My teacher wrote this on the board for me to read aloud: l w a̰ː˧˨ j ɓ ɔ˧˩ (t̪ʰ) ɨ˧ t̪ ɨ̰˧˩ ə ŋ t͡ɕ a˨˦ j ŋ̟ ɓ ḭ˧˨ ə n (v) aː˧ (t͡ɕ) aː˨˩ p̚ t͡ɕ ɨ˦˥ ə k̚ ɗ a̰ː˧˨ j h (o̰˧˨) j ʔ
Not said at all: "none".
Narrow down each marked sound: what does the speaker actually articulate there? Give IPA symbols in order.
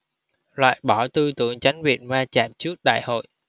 t̪, v, t͡ɕ, o̰˧˨

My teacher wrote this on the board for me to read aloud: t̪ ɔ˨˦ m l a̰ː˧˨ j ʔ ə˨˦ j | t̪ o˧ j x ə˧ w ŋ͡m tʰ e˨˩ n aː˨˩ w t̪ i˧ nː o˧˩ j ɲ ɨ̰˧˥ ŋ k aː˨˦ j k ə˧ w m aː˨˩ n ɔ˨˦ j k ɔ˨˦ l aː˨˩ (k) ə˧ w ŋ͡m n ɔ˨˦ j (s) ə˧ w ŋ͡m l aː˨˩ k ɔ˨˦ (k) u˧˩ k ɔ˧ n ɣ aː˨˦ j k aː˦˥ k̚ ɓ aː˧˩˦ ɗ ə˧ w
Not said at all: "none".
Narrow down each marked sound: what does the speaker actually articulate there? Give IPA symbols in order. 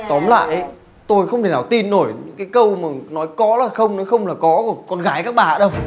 x, x, k

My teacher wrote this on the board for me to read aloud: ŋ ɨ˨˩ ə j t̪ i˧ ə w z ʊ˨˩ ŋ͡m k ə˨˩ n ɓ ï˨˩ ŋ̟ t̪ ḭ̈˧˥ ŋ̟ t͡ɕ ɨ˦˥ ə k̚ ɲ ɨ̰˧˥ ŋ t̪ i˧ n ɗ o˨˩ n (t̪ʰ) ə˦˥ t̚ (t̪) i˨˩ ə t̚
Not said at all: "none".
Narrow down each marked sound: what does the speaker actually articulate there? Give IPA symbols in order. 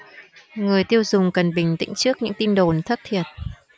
t̪ʰ, t̪ʰ

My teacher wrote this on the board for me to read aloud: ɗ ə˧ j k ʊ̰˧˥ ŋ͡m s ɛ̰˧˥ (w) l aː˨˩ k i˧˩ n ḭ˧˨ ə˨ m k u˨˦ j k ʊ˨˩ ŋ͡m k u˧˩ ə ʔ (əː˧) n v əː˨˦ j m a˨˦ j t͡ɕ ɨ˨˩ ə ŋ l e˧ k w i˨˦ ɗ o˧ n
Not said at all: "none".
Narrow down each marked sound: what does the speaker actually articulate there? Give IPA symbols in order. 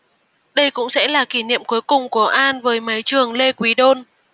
none, aː˧

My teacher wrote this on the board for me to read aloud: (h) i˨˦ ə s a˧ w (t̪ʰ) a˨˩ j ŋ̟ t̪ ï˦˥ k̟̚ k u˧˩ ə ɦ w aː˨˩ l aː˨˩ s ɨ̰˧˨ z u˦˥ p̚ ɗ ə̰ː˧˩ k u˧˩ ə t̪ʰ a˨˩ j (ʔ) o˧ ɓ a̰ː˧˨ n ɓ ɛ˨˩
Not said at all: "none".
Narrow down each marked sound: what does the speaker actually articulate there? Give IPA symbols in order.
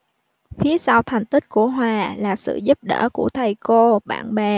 f, t̪ʰ, k

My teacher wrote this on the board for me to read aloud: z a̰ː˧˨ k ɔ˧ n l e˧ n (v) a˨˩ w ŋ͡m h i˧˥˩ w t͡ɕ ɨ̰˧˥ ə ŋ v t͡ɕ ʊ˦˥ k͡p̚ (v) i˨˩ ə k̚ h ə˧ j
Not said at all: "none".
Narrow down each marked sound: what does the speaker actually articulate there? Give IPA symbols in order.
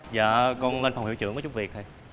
f, v

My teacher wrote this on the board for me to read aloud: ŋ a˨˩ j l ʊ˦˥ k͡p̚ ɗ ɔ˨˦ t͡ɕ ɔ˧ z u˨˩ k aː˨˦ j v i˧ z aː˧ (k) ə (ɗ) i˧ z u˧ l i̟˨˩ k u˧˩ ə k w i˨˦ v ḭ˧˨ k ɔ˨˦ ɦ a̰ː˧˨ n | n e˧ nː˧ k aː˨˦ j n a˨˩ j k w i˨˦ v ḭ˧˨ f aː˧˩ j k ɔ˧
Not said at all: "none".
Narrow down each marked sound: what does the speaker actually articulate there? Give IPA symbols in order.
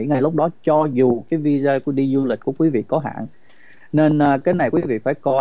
k, ɗ

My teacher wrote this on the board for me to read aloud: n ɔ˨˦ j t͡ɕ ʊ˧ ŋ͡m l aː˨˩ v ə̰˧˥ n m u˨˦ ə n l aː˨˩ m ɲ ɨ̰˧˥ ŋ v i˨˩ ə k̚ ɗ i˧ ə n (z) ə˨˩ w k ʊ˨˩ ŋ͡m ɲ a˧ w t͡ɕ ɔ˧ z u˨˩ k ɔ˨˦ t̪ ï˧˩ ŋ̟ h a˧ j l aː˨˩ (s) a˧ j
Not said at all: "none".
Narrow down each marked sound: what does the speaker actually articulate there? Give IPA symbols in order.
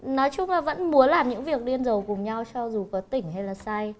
z, s

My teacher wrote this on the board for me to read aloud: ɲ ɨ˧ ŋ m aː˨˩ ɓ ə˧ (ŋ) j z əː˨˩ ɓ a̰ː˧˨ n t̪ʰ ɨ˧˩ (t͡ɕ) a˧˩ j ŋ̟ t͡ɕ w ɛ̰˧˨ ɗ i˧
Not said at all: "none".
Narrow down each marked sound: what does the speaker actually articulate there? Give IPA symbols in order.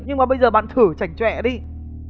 none, t͡ɕ

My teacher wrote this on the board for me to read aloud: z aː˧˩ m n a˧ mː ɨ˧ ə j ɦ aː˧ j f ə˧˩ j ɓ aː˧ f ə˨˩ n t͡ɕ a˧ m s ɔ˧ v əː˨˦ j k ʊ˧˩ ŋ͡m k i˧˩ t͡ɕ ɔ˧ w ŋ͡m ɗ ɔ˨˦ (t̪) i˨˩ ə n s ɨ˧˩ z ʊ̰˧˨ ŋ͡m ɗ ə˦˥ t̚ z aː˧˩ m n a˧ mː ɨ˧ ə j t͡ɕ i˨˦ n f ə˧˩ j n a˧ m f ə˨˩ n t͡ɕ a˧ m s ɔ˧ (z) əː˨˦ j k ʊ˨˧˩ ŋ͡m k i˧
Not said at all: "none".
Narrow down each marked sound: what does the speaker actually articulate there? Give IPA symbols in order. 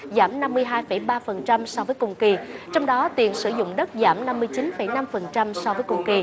t̪, v

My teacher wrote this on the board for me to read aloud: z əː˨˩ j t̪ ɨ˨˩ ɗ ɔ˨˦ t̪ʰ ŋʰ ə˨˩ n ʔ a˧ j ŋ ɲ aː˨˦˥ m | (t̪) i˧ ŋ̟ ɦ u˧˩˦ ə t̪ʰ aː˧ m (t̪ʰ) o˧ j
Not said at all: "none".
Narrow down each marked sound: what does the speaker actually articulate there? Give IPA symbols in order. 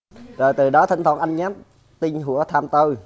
t̪, t̪

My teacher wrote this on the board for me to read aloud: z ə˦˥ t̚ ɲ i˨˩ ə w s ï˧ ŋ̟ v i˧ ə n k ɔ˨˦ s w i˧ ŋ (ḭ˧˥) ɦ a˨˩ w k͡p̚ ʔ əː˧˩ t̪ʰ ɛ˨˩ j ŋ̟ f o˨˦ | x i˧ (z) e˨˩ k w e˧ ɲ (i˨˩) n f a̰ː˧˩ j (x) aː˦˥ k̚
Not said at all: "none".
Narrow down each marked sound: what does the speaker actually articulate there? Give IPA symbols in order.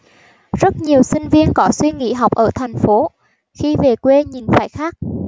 ḭ˧˥, v, i˨˩, x

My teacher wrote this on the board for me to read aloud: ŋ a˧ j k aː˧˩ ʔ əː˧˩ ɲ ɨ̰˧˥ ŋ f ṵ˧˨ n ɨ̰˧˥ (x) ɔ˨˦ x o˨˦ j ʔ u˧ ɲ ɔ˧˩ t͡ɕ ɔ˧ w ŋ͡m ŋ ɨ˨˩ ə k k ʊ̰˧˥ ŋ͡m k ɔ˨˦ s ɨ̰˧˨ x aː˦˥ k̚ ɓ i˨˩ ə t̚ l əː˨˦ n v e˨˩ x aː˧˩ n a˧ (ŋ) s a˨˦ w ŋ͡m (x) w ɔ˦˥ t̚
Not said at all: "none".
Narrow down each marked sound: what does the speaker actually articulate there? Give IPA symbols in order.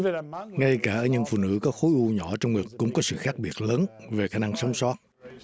k, ŋ, s

